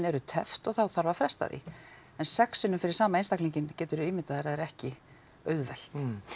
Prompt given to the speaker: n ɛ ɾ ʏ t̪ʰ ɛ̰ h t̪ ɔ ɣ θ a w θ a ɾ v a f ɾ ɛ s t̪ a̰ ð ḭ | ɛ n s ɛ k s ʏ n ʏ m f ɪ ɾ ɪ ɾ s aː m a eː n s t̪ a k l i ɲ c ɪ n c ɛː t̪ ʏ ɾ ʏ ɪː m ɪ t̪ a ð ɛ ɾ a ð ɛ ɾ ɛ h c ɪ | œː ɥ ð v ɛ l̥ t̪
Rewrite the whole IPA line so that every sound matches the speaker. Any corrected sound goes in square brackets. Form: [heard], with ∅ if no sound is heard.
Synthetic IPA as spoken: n ɛ ɾ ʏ t̪ʰ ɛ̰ [f] t̪ ɔ ɣ θ a w θ a ɾ v a f ɾ ɛ s t̪ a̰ ð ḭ | ɛ n s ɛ k s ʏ n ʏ m f ɪ ɾ ɪ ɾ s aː m a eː n s t̪ a k l i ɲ c ɪ n c ɛː t̪ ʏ ɾ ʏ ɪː m ɪ t̪ a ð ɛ ɾ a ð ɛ ɾ ɛ h c ɪ | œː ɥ ð v ɛ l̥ t̪